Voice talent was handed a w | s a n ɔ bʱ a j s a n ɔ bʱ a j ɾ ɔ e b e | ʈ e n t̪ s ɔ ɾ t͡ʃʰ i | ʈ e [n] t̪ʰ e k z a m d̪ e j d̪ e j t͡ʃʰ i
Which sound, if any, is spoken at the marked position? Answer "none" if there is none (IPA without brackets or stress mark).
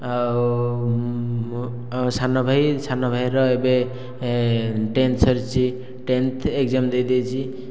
n